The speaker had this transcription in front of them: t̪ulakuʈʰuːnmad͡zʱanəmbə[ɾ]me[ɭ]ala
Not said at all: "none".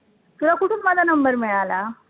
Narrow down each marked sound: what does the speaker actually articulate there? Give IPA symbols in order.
ɾ, ɭ

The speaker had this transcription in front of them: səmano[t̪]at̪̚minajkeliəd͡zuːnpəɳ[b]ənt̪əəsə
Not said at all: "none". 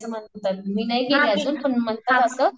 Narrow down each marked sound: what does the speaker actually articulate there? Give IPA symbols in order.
t̪, m

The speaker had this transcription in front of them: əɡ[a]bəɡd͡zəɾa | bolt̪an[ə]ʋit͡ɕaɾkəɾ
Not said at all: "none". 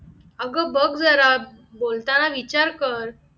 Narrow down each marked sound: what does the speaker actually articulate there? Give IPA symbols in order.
ə, a

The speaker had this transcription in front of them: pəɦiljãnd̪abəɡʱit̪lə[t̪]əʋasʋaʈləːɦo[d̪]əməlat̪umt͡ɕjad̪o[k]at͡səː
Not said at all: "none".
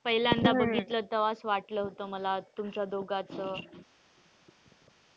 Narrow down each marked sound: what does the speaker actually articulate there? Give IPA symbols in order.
t̪, t̪, ɡ

